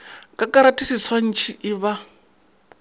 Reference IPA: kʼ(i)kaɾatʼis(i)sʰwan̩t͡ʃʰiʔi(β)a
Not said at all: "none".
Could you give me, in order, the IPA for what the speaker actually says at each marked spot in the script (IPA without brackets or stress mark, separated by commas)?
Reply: a, i, β